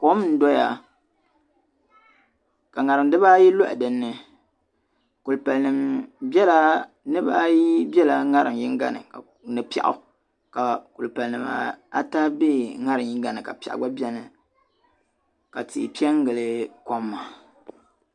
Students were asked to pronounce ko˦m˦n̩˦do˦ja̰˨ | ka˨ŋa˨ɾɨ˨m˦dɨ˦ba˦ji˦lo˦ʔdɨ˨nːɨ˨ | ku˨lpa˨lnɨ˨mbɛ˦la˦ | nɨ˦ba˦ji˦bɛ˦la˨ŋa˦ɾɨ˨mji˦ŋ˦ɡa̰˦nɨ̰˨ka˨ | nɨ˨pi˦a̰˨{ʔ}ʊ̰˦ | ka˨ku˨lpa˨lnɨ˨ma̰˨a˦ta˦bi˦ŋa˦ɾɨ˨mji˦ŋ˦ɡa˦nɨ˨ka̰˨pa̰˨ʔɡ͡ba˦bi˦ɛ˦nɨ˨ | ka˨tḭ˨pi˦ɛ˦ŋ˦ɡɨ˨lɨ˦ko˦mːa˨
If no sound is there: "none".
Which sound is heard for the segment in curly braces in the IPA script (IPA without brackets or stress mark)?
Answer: ʔ